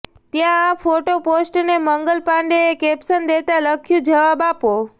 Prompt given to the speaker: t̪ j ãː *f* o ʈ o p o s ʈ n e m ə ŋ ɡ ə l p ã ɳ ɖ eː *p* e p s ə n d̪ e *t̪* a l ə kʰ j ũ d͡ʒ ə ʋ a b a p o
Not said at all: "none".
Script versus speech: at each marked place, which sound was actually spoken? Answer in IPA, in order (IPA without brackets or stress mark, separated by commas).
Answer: f, k, t̪